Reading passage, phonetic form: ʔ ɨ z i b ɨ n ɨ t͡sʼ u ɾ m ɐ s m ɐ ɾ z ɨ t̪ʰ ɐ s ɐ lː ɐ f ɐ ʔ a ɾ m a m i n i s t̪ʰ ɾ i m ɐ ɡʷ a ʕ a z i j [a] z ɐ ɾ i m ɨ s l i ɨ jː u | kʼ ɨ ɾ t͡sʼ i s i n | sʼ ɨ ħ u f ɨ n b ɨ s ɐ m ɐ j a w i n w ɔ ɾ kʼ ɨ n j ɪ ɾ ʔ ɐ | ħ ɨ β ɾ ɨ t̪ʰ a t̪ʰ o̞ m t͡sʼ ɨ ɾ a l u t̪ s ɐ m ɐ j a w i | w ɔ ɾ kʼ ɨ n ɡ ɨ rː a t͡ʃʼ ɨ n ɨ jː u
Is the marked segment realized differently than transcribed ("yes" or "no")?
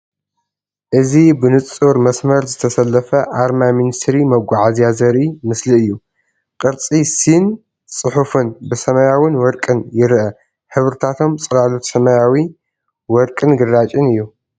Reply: no